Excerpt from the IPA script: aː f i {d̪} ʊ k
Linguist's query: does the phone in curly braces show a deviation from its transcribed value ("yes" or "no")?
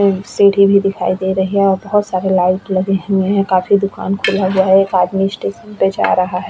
no